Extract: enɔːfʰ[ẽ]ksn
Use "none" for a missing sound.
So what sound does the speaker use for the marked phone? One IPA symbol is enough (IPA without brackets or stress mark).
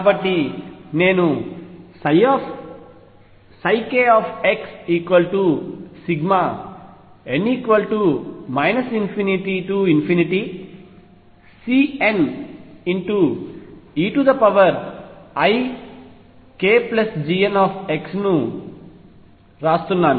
e